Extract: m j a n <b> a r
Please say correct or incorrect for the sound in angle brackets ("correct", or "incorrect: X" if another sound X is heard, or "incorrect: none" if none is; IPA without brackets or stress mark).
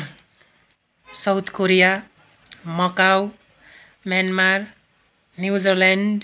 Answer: incorrect: m